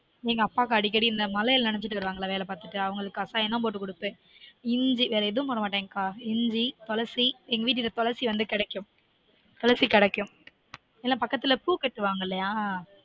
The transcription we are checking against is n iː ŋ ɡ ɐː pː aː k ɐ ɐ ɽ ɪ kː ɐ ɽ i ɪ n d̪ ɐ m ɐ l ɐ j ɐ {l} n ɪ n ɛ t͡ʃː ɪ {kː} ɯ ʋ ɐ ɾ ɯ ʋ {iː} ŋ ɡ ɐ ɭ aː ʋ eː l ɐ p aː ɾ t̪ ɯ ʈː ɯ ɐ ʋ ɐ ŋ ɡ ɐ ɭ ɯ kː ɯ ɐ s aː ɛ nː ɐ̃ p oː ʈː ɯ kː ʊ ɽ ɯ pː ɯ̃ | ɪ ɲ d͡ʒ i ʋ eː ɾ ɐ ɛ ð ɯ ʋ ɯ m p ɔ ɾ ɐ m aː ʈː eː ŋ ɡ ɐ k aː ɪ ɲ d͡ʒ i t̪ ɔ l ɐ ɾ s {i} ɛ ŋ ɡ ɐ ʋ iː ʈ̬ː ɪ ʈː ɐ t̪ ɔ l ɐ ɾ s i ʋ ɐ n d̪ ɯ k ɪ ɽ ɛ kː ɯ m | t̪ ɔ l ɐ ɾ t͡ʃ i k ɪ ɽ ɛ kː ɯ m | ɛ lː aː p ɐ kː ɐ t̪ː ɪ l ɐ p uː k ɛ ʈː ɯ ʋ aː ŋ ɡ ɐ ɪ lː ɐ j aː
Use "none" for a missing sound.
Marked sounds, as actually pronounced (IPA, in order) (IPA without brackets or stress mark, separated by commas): l, ʈː, aː, i